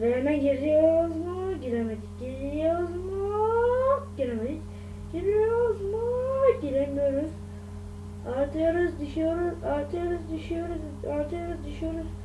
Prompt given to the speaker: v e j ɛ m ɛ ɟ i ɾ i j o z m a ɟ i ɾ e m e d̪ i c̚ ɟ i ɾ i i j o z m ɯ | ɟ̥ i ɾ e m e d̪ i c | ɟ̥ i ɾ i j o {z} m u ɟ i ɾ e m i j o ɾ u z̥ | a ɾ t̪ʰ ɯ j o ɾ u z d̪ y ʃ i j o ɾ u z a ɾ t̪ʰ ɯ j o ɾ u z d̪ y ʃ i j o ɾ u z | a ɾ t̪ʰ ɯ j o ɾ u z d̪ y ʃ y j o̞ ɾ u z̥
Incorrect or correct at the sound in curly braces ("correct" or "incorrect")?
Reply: correct